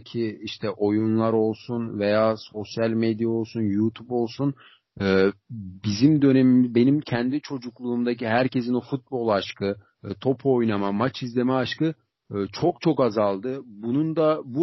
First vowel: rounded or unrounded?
unrounded